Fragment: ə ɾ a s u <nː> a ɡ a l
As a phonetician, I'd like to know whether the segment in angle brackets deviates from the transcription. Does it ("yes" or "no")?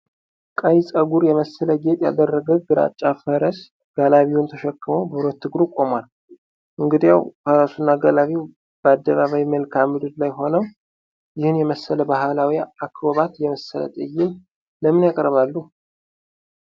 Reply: no